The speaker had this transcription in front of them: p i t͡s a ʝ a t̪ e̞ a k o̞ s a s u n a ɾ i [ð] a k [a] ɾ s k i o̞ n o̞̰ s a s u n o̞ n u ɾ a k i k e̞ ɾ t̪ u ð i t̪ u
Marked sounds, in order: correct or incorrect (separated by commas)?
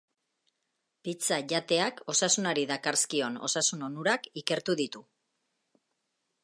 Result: correct, correct